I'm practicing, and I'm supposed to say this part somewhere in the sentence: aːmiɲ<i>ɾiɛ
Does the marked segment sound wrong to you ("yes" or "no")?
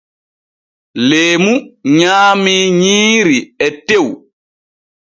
yes